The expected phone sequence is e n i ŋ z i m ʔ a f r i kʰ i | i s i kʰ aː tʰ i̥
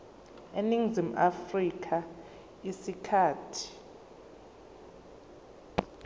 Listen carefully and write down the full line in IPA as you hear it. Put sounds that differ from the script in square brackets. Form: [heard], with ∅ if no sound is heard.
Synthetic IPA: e n i ŋ z i m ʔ a f r i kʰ [a] | i s i kʰ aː tʰ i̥